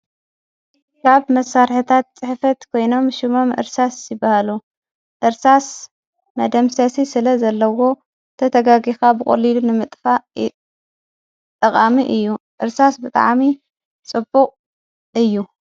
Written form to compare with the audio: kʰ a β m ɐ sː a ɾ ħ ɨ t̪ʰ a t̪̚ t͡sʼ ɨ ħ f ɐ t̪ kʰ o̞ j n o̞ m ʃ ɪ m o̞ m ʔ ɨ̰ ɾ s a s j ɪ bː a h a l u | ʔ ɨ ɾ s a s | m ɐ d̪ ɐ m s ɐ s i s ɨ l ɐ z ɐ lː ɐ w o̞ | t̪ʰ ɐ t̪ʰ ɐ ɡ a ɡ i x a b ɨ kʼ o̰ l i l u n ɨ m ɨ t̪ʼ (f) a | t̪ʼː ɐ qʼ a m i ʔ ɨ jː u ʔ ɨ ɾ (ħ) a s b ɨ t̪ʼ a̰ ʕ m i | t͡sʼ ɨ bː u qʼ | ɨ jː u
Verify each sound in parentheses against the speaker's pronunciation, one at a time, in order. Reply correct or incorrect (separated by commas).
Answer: correct, incorrect